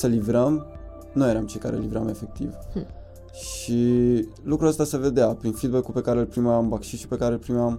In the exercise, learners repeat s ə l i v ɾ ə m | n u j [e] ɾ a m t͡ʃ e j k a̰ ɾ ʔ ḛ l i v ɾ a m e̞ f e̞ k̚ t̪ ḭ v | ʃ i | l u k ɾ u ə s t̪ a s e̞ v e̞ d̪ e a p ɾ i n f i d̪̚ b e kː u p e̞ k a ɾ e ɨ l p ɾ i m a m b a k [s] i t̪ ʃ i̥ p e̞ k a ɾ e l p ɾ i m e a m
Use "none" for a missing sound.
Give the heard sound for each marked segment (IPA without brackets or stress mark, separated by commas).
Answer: e, ʃ